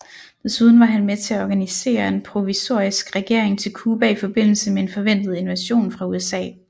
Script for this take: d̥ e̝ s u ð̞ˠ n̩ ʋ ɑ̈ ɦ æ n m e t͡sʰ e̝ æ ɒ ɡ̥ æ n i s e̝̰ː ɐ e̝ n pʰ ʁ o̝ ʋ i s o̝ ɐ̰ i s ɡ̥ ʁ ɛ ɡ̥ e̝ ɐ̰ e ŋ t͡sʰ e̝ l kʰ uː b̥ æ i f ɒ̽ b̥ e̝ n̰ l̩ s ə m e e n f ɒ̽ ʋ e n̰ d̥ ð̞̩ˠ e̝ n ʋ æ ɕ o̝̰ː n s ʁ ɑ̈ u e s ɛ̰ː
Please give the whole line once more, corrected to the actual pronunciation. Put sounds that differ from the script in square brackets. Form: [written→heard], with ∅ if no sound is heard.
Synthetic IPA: d̥ e̝ s u ð̞ˠ n̩ ʋ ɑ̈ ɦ æ n m e t͡sʰ e̝ æ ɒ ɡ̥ æ n i s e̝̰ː ɐ e̝ n pʰ ʁ o̝ ʋ i s o̝ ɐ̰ i s ɡ̥ ʁ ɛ ɡ̥ e̝ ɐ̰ e ŋ t͡sʰ e̝ l kʰ uː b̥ æ i f ɒ̽ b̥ e̝ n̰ l̩ s ə m e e n f ɒ̽ ʋ e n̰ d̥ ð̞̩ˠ e̝ n ʋ æ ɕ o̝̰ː n [s→f] ʁ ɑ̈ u e s ɛ̰ː